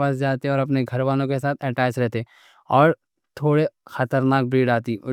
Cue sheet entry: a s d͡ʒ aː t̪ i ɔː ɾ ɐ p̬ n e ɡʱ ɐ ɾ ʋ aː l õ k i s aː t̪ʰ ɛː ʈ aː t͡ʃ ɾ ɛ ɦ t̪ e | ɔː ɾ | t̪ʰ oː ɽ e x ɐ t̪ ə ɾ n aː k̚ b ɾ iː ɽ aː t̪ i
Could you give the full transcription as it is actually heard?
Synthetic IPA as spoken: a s d͡ʒ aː t̪ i ɔː ɾ ɐ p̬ n e ɡʱ ɐ ɾ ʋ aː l õ k e s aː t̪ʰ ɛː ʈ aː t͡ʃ ɾ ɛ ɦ t̪ e | ɔː ɾ | t̪ʰ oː ɽ e x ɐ t̪ ə ɾ n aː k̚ b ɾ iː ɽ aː t̪ i